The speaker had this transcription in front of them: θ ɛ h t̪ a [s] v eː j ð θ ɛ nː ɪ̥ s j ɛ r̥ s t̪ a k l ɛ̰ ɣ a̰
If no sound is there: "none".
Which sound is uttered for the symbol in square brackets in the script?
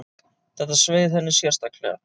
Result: s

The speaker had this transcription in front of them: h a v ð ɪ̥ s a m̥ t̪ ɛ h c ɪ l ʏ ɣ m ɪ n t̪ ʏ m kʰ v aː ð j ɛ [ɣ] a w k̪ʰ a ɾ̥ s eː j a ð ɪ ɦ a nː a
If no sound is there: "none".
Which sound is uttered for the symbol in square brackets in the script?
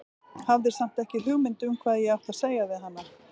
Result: ɣ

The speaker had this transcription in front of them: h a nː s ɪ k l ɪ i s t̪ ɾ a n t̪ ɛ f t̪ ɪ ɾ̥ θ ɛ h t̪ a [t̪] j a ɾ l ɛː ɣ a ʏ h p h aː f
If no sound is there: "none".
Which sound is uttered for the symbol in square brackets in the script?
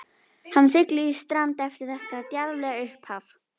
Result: t̪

